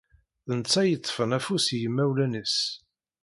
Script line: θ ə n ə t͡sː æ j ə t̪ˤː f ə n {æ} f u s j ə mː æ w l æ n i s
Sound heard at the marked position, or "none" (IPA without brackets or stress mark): æ